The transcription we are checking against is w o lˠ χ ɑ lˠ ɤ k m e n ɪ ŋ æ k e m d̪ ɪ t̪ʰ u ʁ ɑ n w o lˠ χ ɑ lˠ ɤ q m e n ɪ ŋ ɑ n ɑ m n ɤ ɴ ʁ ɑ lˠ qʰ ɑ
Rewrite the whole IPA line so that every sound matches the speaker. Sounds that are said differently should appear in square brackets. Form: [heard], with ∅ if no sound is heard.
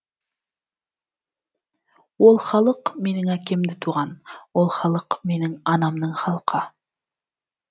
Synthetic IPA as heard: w o lˠ χ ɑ lˠ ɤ [q] m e n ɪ ŋ æ k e m d̪ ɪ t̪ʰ u ʁ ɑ n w o lˠ χ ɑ lˠ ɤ q m e n ɪ ŋ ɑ n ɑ m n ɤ ɴ [χ] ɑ lˠ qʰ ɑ